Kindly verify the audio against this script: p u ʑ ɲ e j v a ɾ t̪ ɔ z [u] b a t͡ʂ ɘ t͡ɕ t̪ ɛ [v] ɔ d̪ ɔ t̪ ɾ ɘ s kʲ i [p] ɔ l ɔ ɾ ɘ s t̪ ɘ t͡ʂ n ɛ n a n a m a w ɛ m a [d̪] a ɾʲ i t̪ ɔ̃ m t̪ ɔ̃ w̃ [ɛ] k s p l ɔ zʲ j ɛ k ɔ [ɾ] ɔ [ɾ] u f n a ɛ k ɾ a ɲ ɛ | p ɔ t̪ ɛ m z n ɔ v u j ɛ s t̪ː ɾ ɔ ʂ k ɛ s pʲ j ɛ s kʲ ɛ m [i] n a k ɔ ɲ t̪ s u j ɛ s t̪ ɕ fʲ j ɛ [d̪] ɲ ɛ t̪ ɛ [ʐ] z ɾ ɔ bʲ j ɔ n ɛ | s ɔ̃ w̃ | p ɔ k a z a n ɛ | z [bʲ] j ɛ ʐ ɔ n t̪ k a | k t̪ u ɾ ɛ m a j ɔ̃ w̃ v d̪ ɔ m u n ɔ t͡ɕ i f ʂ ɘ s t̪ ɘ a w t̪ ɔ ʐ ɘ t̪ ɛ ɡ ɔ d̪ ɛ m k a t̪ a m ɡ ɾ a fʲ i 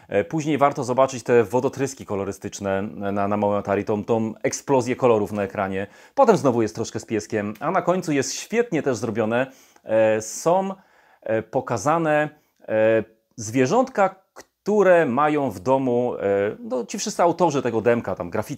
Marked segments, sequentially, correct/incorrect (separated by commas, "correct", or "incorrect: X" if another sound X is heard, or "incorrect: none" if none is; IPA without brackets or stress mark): incorrect: ɔ, correct, incorrect: k, incorrect: t̪, correct, incorrect: l, correct, incorrect: a, incorrect: t̪, correct, incorrect: vʲ